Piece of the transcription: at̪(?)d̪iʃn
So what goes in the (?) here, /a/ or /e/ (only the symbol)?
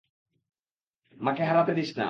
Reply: e